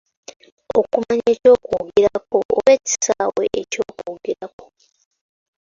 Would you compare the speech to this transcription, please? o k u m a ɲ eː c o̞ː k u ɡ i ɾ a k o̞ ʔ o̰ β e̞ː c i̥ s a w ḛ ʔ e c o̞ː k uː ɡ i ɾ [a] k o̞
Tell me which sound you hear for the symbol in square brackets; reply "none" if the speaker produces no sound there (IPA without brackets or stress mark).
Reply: a